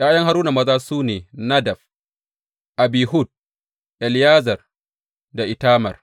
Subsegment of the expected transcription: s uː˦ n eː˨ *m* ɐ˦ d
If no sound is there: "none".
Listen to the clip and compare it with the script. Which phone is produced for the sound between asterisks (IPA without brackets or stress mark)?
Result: n